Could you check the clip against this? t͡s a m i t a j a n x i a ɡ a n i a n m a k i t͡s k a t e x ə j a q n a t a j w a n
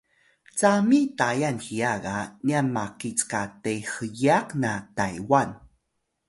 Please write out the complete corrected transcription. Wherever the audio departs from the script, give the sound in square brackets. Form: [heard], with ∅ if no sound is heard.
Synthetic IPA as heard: t͡s a m i t a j a n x i a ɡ a n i a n m a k i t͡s k a t e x ə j a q n a t a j w a n